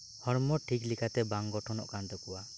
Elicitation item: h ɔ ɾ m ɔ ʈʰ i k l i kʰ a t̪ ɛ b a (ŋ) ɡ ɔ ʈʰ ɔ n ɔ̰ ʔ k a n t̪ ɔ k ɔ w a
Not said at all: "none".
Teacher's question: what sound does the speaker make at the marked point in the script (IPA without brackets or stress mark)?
ŋ